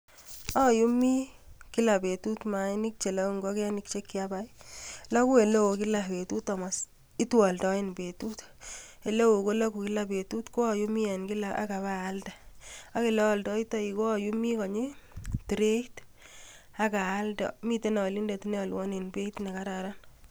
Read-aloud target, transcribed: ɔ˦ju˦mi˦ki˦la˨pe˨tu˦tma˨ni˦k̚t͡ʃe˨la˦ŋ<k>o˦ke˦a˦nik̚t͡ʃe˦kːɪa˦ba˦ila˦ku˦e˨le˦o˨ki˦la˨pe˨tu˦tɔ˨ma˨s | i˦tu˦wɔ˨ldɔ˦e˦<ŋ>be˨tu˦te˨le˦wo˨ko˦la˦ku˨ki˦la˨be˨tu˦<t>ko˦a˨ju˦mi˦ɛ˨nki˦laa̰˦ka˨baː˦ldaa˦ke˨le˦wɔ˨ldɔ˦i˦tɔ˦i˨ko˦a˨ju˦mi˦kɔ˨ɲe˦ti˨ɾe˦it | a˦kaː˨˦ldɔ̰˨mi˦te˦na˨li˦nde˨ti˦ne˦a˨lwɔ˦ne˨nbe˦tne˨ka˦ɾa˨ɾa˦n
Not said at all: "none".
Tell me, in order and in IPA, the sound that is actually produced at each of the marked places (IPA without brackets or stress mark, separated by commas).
ɡ, n, t